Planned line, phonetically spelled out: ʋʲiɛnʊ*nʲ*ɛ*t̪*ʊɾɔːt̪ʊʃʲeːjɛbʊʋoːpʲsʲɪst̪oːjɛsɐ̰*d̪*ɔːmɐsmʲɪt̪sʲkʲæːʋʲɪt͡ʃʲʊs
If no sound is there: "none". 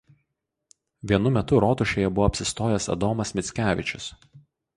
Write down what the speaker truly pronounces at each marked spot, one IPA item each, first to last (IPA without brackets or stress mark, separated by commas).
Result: mʲ, t̪, d̪